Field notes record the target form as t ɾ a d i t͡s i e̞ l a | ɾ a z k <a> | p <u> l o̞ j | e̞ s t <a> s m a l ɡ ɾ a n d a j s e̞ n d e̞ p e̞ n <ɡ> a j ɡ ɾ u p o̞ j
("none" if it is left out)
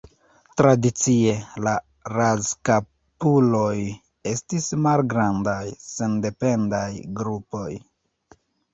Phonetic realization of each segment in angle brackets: a, u, i, d

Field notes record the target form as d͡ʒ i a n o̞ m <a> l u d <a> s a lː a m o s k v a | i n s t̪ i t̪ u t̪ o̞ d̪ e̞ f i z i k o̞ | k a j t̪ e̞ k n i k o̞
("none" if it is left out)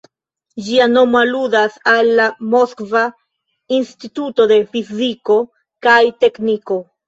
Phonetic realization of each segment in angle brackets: a, a

